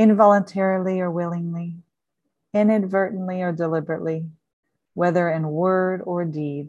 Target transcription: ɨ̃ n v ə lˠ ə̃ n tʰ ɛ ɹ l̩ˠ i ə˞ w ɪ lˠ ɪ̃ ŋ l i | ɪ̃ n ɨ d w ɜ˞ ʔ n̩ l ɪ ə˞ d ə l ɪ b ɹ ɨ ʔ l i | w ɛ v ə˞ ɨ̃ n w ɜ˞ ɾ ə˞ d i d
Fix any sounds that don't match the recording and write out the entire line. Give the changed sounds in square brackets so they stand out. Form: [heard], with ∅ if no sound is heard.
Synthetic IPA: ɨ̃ n v [ɑ] lˠ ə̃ n tʰ ɛ ɹ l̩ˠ i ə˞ w ɪ lˠ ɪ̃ ŋ l i | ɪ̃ n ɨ d [v] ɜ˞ ʔ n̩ l [i] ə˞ d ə l ɪ b ɹ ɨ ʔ l i | w ɛ [ð] ə˞ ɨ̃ n w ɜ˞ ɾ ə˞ d i d